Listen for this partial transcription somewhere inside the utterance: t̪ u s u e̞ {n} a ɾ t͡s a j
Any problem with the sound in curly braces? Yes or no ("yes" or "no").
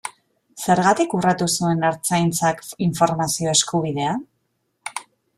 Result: no